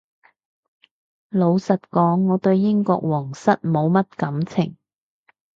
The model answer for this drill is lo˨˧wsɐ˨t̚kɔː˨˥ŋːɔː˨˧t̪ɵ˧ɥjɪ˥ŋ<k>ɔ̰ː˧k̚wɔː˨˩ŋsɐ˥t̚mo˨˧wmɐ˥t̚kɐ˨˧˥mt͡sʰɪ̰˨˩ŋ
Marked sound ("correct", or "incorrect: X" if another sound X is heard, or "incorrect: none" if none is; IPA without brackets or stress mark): correct